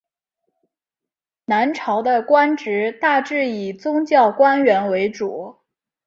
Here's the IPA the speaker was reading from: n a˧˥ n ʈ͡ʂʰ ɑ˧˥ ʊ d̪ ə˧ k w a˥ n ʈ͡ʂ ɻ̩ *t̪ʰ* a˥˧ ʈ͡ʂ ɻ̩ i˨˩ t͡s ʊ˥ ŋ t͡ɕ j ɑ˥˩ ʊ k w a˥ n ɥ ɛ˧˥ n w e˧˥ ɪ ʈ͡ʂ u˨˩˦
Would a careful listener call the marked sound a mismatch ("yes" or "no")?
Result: yes